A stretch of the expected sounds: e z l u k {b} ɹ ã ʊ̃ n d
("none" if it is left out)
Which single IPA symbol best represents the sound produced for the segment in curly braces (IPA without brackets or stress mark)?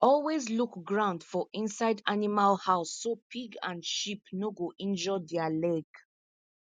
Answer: ɡ